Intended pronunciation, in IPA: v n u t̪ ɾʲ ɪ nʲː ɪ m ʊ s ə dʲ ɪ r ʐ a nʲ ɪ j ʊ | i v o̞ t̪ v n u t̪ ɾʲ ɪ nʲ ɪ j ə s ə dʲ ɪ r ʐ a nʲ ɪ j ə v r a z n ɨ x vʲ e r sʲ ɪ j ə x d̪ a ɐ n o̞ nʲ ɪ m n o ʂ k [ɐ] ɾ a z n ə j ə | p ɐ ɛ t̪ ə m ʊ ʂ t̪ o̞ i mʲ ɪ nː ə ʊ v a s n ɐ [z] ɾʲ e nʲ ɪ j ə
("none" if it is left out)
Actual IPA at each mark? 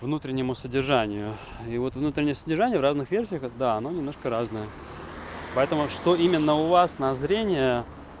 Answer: ə, z

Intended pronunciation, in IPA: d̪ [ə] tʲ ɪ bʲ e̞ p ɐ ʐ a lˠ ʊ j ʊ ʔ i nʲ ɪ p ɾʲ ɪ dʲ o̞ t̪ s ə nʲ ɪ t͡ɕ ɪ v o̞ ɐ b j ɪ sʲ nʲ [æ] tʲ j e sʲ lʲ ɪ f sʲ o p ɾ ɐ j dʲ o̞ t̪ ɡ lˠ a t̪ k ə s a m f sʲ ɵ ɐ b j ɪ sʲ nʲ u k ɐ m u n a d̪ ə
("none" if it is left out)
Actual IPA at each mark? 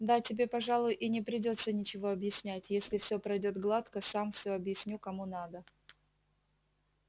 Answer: a, æ

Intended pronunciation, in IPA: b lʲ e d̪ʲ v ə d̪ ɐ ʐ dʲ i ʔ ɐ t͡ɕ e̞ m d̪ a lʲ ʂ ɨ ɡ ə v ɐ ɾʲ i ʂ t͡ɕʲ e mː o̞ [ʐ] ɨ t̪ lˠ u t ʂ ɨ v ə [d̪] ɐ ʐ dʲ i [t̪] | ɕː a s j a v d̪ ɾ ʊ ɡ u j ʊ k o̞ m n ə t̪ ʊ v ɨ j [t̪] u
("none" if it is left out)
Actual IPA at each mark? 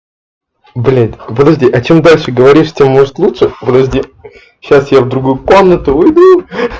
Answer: ʐ, d̪, none, d̪

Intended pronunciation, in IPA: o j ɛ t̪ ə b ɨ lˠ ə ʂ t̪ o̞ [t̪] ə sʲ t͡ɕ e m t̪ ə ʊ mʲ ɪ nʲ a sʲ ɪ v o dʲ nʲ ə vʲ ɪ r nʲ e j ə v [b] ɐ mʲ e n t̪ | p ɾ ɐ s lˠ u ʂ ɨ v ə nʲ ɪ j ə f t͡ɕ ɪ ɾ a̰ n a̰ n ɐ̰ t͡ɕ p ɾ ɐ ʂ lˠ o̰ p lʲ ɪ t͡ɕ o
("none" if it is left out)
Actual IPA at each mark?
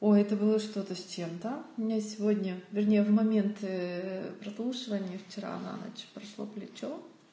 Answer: t̪, m

